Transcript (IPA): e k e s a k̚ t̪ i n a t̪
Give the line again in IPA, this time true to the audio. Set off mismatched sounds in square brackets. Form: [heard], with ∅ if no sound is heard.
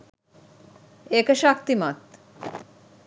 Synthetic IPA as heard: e k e [ʃ] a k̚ t̪ i [m] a t̪